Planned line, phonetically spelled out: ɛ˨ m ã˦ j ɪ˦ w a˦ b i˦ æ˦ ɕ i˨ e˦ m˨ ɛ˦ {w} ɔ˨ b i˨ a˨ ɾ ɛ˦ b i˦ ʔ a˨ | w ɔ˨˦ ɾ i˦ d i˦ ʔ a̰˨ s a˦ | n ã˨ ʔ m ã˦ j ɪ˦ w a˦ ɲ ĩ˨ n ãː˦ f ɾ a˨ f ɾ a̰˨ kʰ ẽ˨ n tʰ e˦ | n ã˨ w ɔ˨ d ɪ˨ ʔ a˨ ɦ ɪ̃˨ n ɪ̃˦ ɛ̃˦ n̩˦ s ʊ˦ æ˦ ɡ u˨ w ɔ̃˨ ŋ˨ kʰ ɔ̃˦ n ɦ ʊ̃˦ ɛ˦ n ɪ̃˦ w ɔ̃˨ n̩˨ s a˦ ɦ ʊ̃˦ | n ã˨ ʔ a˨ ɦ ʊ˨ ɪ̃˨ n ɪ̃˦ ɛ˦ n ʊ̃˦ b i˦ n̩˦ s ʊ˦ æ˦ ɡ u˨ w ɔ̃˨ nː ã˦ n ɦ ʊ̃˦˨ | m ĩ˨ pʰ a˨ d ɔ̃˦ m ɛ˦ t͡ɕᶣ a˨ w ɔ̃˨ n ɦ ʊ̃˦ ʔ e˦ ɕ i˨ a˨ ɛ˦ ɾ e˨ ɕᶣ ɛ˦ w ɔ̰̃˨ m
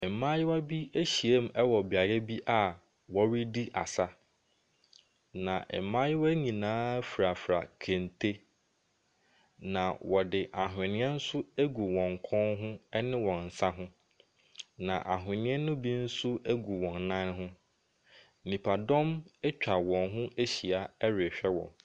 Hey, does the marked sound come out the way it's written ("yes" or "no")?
yes